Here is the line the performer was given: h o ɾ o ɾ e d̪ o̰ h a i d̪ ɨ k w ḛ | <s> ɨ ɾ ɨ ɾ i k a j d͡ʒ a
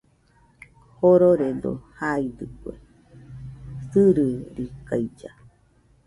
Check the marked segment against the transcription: correct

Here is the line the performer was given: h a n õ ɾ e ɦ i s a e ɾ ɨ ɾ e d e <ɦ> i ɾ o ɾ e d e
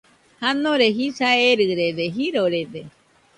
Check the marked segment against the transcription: correct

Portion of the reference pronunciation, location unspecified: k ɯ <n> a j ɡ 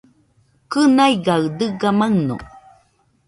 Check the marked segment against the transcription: correct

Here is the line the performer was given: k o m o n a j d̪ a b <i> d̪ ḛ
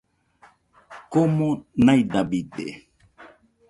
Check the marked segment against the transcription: correct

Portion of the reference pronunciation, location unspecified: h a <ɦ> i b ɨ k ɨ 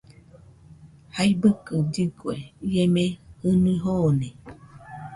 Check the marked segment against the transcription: incorrect: none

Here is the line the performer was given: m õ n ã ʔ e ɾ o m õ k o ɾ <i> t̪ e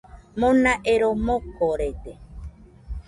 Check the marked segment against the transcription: incorrect: e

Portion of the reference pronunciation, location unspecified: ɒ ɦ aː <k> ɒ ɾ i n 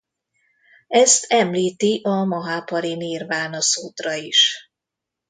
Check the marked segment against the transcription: incorrect: p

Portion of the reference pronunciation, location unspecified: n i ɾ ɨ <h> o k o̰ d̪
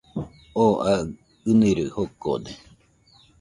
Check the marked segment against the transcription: correct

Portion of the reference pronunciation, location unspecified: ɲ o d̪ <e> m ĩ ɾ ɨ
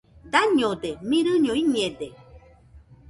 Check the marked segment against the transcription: correct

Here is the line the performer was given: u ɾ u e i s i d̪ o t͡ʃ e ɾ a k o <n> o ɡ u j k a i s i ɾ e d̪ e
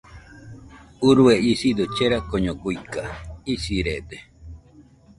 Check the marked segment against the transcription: incorrect: ɲ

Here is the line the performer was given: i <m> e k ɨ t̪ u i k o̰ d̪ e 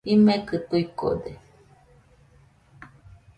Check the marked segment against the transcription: correct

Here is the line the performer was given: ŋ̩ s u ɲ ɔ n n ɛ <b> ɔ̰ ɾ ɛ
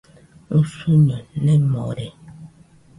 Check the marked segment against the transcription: incorrect: m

